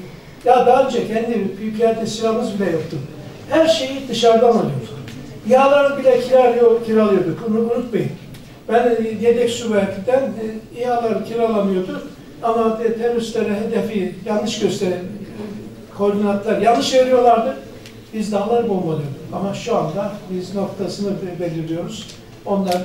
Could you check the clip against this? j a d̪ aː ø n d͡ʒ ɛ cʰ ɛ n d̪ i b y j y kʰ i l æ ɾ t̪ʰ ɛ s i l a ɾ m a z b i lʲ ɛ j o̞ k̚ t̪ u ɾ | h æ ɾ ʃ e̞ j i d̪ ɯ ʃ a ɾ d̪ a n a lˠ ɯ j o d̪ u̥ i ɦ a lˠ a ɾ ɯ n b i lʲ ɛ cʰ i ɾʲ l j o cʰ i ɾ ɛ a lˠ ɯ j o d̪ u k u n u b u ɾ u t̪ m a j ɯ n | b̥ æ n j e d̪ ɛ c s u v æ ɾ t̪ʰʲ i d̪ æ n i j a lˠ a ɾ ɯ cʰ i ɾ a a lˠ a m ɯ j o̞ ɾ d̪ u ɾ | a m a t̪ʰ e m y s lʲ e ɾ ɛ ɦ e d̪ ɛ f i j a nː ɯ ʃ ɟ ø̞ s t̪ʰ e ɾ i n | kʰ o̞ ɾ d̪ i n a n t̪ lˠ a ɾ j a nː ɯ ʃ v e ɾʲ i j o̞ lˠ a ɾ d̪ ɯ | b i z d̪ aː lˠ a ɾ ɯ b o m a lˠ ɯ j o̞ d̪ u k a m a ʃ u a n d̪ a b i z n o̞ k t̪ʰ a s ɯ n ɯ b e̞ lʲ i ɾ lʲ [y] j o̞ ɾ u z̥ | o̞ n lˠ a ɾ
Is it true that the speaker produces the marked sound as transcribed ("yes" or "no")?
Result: no